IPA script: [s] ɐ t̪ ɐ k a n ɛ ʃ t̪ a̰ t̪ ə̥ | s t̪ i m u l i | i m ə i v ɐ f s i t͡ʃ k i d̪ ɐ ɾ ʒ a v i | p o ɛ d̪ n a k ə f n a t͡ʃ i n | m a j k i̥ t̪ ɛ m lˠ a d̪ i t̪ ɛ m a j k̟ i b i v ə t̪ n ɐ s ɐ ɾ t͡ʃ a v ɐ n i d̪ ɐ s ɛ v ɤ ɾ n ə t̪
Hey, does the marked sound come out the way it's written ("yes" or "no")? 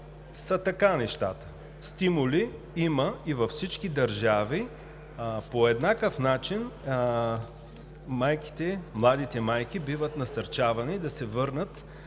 yes